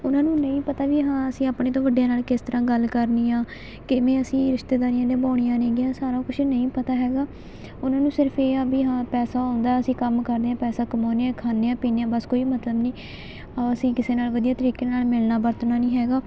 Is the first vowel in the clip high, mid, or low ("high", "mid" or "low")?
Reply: high